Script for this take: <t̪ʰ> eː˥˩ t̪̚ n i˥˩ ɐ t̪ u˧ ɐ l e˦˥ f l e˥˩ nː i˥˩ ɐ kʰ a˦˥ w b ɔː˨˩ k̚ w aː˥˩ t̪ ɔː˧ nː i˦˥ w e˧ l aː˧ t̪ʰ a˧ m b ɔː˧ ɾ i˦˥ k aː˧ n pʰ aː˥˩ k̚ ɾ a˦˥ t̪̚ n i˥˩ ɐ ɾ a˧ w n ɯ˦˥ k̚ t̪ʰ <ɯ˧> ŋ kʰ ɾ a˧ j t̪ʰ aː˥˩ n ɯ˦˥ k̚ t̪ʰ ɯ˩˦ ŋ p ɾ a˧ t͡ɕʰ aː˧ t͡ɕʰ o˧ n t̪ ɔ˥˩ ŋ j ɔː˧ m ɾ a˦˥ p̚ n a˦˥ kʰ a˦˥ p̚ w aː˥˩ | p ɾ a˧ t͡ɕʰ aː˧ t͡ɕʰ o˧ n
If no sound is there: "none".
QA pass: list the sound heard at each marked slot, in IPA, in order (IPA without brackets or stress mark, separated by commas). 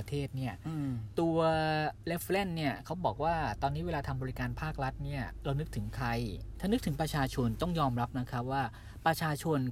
t̪ʰ, ɯ˩˦